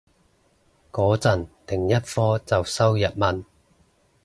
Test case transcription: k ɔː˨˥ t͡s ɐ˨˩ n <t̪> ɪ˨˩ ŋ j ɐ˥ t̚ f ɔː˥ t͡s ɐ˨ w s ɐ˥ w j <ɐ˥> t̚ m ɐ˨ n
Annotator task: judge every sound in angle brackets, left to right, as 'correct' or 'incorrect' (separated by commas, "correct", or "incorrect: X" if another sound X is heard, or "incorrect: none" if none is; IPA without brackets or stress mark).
correct, incorrect: ɐ˨